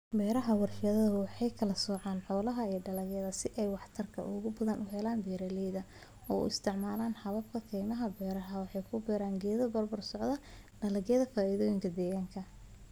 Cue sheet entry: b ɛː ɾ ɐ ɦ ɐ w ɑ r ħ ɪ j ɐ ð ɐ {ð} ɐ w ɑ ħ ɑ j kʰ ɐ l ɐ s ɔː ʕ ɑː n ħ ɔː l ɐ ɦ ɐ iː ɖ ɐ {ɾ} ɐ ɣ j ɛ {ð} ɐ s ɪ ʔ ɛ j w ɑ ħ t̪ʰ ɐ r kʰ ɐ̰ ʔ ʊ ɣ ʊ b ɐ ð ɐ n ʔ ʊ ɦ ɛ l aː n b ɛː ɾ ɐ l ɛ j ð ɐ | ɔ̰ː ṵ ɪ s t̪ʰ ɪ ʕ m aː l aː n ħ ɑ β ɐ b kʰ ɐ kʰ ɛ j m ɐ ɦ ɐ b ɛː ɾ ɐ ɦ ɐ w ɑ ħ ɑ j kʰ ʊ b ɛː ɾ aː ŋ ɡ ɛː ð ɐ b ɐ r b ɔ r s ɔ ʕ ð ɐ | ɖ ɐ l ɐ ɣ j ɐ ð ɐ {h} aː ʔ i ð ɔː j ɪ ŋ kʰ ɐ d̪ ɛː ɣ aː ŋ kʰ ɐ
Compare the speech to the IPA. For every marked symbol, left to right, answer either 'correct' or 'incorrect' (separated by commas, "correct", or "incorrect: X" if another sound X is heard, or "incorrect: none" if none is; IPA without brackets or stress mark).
correct, incorrect: l, correct, incorrect: f